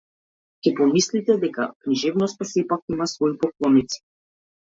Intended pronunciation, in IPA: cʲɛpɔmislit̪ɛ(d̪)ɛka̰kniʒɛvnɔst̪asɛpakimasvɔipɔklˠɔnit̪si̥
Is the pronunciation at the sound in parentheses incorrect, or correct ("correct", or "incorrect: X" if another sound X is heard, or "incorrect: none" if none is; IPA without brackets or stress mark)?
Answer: correct